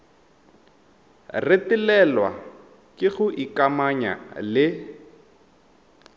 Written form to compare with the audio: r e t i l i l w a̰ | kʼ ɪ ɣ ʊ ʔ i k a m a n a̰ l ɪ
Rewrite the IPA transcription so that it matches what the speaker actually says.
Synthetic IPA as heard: r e t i l ɛ l w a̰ | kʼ ɪ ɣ ʊ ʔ i k a m a ɲ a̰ l ɪ